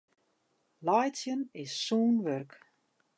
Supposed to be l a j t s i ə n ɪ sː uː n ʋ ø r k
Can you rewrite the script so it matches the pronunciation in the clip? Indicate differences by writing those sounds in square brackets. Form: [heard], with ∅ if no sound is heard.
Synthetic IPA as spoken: l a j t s [j] ə n ɪ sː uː n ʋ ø r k